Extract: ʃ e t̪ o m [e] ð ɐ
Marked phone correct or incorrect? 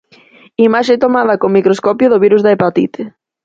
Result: incorrect